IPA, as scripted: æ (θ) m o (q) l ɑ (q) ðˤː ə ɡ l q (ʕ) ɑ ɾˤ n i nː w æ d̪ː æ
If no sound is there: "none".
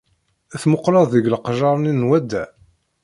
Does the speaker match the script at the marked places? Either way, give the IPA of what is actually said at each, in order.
θ, q, none, ʒ

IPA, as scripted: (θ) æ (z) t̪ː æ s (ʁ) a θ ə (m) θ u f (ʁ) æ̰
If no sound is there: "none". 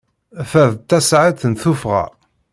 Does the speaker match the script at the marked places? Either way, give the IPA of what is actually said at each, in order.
f, ð, ʕ, n, ʁ

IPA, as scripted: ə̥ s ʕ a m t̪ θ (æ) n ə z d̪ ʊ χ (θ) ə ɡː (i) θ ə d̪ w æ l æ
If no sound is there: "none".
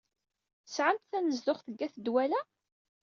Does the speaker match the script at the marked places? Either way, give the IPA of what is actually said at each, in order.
æ, θ, æ

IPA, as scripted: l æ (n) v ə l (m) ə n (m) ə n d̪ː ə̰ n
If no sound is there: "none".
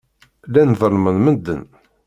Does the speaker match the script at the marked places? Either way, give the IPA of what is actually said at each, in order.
n, m, m

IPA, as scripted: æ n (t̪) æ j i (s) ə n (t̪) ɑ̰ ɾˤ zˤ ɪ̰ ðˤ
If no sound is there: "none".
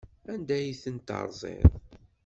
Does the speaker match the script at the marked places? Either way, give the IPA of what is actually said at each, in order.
d̪, θ, t̪

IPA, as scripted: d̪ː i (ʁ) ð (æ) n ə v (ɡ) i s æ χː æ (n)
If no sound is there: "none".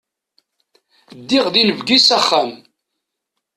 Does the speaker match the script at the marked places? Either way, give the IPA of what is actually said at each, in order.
ʁ, i, ɡ, m

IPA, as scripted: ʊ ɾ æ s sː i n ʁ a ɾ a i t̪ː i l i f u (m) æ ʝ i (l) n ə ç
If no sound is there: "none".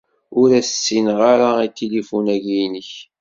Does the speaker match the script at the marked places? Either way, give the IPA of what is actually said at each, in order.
n, none

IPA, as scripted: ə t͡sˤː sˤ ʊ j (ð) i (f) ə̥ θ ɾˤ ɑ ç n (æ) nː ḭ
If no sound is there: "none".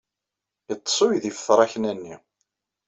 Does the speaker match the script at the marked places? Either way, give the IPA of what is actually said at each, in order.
ð, f, æ

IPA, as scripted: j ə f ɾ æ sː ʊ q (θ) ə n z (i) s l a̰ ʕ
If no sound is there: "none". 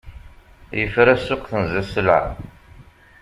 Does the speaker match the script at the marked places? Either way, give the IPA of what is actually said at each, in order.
θ, æ

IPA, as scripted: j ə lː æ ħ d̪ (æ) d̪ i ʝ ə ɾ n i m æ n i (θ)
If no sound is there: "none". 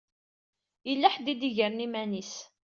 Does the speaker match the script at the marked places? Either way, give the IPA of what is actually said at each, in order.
i, s

